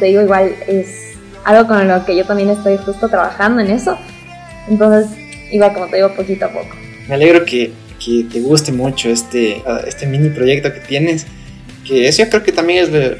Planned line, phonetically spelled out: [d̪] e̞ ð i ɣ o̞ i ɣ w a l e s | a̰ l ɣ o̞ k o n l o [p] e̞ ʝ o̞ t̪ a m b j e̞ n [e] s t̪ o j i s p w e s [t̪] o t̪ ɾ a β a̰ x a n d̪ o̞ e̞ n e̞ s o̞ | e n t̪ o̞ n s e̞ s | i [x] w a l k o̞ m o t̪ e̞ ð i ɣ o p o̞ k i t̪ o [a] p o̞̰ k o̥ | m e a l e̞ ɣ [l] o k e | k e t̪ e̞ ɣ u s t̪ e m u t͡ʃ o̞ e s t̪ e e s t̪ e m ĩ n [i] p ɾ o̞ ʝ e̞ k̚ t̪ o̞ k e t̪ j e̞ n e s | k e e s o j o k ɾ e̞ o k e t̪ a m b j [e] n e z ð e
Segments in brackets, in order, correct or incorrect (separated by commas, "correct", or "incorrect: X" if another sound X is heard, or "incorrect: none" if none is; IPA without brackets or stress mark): incorrect: t̪, incorrect: k, correct, correct, incorrect: ɣ, correct, incorrect: ɾ, correct, correct